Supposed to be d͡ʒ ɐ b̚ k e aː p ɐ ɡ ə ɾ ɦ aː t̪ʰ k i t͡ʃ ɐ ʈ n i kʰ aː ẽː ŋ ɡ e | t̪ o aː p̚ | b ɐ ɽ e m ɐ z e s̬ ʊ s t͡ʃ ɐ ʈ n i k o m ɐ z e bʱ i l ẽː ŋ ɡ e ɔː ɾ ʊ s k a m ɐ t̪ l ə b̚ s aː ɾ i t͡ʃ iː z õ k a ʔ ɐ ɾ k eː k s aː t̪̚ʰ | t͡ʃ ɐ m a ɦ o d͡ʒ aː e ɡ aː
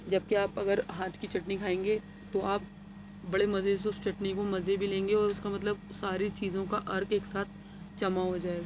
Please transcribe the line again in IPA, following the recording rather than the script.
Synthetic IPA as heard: d͡ʒ ɐ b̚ k e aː p ɐ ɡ ə ɾ ɦ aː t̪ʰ k i t͡ʃ ɐ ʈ n i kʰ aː ẽː ŋ ɡ e | t̪ o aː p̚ | b ɐ ɽ e m ɐ z e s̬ ʊ s t͡ʃ ɐ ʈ n i k o m ɐ z e bʱ i l ẽː ŋ ɡ e ɔː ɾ ʊ s k a m ɐ t̪ l ə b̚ s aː ɾ i t͡ʃ iː z õ k a ʔ ɐ ɾ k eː k s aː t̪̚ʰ | t͡ʃ ɐ m a ɦ o d͡ʒ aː e ɡ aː